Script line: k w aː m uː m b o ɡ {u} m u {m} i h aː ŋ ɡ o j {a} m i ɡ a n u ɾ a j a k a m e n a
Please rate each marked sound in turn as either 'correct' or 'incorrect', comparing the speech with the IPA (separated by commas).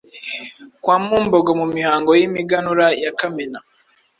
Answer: incorrect, correct, incorrect